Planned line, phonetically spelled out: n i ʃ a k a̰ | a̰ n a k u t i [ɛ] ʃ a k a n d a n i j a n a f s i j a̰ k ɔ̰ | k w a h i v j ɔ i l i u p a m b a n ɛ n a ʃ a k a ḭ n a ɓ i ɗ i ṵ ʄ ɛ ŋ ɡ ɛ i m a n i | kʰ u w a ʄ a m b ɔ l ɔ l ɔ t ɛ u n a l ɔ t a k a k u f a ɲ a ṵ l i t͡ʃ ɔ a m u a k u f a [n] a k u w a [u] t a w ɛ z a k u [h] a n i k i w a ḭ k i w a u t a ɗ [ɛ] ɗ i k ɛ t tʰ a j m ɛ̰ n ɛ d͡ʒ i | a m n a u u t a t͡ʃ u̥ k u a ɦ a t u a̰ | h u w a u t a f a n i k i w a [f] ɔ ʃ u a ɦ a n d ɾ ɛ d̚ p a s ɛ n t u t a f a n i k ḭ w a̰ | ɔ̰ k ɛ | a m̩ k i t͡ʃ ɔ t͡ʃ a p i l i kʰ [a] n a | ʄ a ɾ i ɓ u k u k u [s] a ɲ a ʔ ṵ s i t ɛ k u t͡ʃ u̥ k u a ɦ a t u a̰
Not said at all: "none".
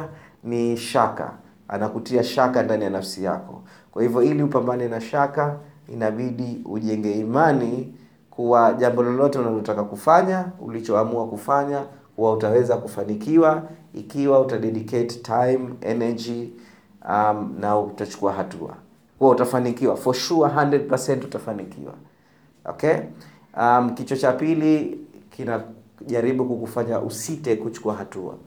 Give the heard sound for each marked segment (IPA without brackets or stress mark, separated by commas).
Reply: a, ɲ, u, f, ɛ, f, i, f